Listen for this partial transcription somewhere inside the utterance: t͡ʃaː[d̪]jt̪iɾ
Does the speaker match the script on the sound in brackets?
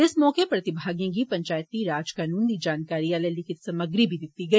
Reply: no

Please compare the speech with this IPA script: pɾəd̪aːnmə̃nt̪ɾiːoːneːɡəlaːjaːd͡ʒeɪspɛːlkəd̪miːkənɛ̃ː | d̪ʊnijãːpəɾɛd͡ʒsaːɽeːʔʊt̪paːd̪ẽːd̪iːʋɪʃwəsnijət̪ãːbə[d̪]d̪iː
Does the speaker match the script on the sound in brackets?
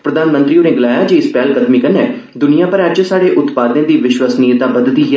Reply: yes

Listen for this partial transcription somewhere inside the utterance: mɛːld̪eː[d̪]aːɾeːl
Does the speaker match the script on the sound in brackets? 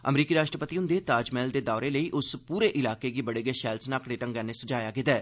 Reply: yes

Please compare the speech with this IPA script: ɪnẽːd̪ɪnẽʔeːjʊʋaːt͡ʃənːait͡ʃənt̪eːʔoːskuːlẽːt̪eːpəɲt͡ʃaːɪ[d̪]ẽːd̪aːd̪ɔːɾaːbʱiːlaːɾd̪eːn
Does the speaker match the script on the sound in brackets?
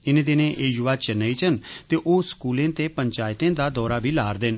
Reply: no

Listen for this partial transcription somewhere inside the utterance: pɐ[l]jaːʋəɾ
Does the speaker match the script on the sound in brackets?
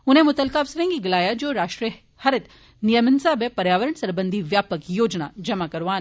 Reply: no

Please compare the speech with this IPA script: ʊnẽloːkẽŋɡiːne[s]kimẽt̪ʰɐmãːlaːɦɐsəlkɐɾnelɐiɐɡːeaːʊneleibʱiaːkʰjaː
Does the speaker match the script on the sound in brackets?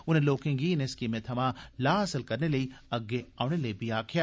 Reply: yes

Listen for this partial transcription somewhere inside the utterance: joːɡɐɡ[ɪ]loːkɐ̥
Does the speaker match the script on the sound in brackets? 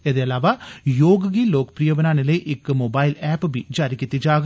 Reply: no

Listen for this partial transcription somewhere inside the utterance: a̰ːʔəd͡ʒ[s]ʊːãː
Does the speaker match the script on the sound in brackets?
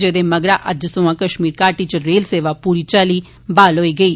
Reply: yes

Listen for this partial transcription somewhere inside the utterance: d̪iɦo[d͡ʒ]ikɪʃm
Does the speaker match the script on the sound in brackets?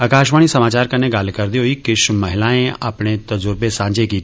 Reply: no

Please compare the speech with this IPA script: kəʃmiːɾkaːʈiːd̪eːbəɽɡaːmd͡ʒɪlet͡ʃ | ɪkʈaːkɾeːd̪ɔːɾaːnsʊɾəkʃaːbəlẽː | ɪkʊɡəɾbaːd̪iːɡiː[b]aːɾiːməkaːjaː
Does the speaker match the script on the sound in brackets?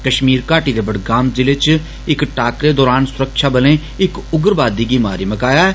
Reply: no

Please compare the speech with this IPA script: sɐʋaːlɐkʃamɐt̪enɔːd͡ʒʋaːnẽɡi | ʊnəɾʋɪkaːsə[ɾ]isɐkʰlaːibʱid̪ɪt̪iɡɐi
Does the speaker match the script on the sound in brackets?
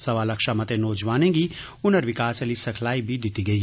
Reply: no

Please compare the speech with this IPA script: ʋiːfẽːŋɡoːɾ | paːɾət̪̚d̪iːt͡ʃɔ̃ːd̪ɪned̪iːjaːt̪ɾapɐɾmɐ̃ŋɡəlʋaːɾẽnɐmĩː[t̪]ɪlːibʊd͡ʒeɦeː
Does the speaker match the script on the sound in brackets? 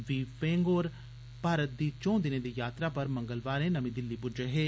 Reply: no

